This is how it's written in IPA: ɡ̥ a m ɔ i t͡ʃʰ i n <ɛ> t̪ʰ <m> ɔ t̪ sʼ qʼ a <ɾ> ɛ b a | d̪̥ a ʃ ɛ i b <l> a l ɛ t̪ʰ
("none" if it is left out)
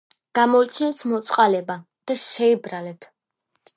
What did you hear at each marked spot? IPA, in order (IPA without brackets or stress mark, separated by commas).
ɛ, m, l, ɾ